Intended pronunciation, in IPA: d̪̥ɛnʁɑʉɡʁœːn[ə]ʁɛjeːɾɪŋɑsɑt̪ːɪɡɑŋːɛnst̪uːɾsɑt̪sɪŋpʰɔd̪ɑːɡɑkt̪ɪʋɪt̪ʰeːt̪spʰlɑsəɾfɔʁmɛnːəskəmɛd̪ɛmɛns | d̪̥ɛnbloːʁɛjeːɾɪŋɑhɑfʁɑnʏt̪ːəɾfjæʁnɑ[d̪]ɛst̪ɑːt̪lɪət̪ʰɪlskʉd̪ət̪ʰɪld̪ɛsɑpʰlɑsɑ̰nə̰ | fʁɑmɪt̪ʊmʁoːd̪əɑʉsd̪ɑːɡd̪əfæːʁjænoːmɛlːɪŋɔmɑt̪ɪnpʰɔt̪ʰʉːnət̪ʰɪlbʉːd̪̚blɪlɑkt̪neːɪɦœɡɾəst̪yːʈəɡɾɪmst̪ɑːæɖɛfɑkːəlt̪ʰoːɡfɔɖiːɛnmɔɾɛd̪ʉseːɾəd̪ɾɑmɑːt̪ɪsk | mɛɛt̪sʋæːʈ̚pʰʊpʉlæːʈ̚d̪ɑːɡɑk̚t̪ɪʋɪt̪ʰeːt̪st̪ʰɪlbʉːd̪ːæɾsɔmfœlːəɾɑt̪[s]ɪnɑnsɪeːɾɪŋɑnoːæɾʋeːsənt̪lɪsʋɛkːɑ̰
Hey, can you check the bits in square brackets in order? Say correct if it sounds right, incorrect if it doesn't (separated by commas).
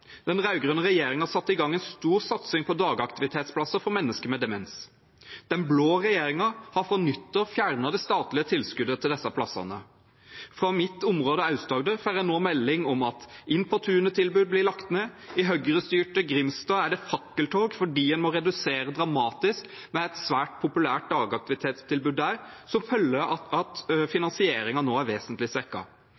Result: correct, correct, incorrect